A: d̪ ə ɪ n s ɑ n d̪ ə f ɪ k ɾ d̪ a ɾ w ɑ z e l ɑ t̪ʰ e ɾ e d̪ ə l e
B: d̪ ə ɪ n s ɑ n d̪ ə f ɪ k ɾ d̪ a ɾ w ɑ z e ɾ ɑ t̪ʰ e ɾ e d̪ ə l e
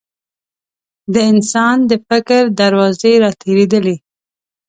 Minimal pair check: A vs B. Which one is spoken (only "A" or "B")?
B